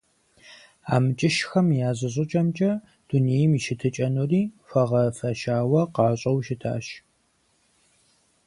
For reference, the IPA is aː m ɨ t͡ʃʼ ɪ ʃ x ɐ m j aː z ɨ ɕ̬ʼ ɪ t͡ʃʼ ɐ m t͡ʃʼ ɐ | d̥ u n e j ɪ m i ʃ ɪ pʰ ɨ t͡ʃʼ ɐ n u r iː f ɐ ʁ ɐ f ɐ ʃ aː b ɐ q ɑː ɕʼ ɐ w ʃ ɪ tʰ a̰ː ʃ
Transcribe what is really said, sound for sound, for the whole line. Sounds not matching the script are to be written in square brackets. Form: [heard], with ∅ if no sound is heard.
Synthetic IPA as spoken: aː m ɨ t͡ʃʼ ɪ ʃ x ɐ m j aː z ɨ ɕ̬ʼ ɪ t͡ʃʼ ɐ m t͡ʃʼ ɐ | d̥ u n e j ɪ m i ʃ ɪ [tʰ] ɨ t͡ʃʼ ɐ n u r iː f ɐ ʁ ɐ f ɐ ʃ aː [w] ɐ q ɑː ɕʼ ɐ w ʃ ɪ tʰ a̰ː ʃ